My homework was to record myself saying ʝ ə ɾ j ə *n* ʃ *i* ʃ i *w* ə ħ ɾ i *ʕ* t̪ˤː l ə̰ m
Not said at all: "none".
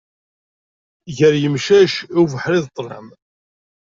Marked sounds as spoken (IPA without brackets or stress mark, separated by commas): m, æ, v, ð